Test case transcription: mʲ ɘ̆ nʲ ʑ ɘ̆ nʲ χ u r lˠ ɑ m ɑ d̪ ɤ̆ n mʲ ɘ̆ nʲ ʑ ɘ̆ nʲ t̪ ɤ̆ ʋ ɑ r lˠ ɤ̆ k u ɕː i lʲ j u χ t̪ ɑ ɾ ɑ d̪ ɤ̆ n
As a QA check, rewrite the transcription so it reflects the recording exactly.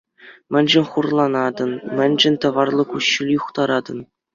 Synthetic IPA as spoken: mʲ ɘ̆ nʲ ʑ ɘ̆ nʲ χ u r lˠ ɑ n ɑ d̪ ɤ̆ n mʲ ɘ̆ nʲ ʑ ɘ̆ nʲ t̪ ɤ̆ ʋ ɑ r lˠ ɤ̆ k u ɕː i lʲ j u χ t̪ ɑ ɾ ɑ d̪ ɤ̆ n